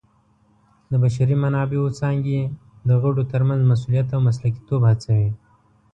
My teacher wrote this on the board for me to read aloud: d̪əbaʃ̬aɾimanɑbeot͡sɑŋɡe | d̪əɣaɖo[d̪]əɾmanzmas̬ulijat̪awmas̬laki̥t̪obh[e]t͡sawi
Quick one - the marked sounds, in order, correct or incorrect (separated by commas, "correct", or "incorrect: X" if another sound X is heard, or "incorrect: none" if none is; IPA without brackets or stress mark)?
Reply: incorrect: t̪, incorrect: a